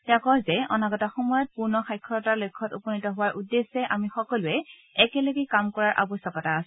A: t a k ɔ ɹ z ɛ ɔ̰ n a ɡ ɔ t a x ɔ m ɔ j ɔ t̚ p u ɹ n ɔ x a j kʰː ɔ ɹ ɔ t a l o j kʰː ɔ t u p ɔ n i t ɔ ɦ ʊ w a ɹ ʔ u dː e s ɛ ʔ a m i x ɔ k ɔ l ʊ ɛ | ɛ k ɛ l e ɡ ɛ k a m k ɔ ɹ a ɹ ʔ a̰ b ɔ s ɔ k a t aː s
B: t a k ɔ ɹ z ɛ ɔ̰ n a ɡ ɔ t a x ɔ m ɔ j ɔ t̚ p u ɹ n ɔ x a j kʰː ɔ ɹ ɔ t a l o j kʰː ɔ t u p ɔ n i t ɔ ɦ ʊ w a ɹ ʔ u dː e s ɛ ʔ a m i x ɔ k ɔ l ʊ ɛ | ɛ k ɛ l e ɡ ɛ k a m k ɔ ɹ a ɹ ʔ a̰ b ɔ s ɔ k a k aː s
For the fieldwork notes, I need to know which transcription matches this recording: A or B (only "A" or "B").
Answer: A